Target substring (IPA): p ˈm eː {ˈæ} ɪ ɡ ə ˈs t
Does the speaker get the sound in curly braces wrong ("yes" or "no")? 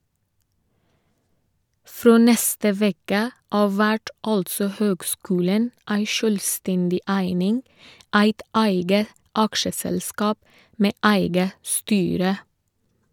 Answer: no